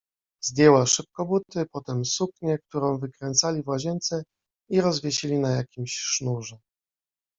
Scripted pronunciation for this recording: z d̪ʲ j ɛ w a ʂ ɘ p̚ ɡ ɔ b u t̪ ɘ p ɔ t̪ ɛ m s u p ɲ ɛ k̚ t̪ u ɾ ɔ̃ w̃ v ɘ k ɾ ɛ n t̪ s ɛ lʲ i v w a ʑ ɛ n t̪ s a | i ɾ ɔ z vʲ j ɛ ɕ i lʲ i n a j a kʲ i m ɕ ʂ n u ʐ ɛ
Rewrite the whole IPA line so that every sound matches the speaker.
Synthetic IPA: z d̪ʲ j ɛ w a ʂ ɘ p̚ k ɔ b u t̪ ɘ p ɔ t̪ ɛ m s u k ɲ ɛ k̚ t̪ u ɾ ɔ̃ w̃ v ɘ k ɾ ɛ n t̪ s a lʲ i v w a ʑ ɛ n t̪ s ɛ | i ɾ ɔ z vʲ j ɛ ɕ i lʲ i n a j a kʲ i m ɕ ʂ n u ʐ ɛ